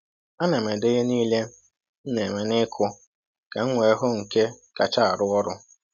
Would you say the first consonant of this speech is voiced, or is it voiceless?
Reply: voiced